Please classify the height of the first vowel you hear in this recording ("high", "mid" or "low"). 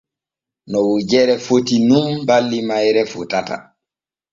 mid